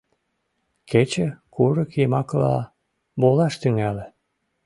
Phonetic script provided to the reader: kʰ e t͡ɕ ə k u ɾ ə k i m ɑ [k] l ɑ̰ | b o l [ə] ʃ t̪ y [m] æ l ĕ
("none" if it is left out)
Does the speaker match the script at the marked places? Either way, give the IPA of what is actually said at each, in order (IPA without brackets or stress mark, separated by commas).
k, ɑ, ŋ